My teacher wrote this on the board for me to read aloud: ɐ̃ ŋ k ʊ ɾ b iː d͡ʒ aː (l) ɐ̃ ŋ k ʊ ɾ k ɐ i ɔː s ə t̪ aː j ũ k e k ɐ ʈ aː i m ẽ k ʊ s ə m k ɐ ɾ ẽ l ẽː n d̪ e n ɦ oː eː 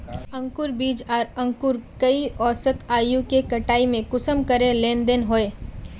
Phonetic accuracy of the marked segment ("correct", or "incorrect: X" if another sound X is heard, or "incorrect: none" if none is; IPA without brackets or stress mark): incorrect: ɾ